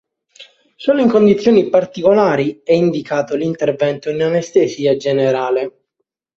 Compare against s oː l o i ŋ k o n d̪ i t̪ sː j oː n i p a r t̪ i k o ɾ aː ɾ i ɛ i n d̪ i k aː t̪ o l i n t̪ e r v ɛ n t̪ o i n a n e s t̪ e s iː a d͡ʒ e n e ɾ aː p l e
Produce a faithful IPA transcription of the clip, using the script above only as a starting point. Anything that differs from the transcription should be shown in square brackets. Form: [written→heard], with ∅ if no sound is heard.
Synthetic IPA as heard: s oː l o i ŋ k o n d̪ i t̪ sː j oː n i p a r t̪ i k o [ɾ→l] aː ɾ i ɛ i n d̪ i k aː t̪ o l i n t̪ e r v ɛ n t̪ o i n a n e s t̪ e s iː a d͡ʒ e n e ɾ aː [p→∅] l e